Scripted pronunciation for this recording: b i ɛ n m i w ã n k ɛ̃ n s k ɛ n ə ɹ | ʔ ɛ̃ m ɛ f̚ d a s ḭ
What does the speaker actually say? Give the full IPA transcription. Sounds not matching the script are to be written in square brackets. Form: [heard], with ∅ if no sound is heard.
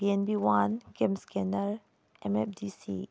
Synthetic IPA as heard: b i ɛ n [b] i w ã n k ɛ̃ [m] s k ɛ n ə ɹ | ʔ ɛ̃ m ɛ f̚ d [i] s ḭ